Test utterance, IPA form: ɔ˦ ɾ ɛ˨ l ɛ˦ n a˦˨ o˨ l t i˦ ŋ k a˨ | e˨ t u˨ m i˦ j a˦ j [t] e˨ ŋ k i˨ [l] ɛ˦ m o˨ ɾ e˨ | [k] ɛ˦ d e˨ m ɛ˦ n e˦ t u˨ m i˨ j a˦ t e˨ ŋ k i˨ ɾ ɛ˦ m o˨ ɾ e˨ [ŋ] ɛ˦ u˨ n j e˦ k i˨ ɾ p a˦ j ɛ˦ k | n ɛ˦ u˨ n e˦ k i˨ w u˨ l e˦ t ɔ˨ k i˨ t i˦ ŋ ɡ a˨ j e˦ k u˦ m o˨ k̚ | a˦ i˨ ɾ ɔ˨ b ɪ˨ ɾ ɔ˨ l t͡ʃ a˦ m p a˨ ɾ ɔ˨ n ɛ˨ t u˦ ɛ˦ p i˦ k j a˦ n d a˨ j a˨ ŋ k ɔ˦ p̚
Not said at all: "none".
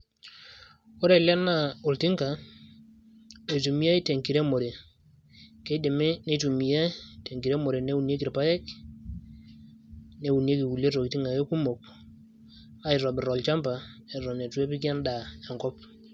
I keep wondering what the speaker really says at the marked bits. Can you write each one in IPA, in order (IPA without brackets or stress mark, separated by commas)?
t, ɾ, k, n